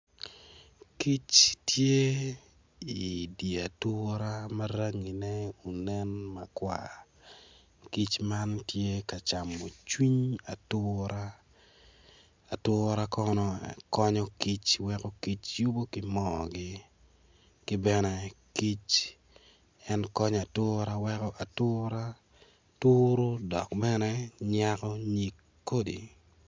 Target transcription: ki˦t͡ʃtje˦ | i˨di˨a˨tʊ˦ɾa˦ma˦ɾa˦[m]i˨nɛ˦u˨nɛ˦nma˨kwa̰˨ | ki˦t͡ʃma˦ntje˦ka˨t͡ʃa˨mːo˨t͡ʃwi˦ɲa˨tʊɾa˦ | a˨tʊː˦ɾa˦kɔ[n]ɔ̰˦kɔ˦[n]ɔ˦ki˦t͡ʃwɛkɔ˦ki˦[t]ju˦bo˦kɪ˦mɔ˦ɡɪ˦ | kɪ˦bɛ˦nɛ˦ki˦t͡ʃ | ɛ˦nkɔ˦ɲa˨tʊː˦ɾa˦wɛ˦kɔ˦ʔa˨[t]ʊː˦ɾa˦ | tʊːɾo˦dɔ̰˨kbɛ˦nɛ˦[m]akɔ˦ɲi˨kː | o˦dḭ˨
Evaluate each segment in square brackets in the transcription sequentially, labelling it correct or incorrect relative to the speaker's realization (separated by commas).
incorrect, correct, incorrect, incorrect, correct, incorrect